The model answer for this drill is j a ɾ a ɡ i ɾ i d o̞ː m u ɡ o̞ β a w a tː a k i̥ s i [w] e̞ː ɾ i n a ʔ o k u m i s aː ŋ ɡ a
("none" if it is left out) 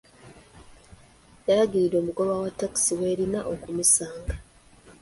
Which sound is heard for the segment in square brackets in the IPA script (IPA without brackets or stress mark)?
w